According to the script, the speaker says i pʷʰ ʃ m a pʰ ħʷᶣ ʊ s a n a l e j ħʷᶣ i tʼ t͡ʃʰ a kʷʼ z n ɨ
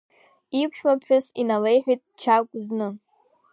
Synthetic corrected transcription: i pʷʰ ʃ m a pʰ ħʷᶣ ʊ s i n a l e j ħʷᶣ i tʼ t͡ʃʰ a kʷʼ z n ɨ

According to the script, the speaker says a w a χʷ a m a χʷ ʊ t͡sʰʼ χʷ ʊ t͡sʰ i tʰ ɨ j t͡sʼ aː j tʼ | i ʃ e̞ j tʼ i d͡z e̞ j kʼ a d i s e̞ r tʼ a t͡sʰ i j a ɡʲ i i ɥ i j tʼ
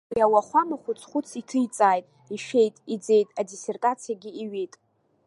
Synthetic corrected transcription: a w a χʷ a m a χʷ ʊ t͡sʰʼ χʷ ʊ t͡sʰ i tʰ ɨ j t͡sʼ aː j tʼ | i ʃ e̞ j tʼ i d͡z e̞ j tʼ a d i s e̞ r tʼ a t͡sʰ i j a ɡʲ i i ɥ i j tʼ

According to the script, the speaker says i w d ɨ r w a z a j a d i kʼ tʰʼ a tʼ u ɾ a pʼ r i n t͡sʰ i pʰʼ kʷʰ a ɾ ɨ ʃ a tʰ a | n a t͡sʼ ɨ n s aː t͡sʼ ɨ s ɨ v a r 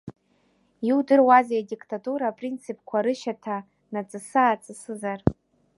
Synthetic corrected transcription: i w d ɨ r w a z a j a d i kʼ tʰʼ a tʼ u ɾ a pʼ r i n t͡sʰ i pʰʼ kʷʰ a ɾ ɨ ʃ a tʰ a | n a t͡sʼ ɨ s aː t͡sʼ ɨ s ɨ z a r

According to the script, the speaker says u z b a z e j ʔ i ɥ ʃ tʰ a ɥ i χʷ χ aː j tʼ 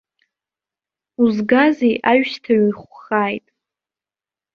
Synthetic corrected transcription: u z ɡ a z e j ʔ a ɥ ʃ tʰ a ɥ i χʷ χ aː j tʼ

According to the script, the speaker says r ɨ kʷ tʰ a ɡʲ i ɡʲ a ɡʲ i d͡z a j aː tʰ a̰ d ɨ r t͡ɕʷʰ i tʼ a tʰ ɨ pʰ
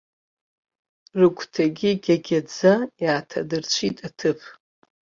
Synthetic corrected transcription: r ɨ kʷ tʰ a ɡʲ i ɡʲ a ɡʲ a d͡z a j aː tʰ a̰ d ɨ r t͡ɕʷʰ i tʼ a tʰ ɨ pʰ

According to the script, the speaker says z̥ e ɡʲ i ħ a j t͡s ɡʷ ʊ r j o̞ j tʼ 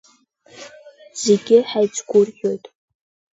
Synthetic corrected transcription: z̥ e ɡʲ ɪ ħ a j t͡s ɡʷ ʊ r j o̞ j tʼ

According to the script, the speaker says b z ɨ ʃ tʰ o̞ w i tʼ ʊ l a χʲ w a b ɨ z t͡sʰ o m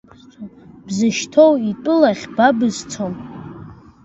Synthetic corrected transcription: b z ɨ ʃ tʰ o̞ w i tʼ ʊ l a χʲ b a b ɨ z t͡sʰ o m

